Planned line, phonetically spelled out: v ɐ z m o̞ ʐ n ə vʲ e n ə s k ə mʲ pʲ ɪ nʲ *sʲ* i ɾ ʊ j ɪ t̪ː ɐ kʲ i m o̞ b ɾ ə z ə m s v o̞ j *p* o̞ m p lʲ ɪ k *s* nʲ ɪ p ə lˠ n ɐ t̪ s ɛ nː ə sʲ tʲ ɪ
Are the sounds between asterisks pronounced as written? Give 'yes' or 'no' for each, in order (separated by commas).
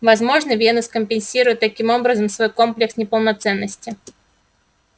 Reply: yes, no, yes